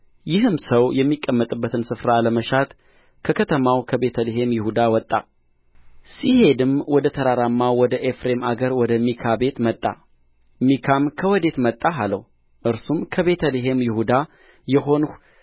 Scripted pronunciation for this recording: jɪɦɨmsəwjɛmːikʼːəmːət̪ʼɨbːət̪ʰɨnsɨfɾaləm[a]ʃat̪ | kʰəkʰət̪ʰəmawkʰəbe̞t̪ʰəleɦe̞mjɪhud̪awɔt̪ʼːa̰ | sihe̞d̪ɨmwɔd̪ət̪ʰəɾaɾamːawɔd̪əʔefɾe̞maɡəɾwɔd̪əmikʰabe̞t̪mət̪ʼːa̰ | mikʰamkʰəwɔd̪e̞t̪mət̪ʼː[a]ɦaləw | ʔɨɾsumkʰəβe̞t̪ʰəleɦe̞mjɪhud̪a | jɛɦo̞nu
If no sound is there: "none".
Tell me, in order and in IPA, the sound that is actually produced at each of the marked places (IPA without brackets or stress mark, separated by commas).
ə, a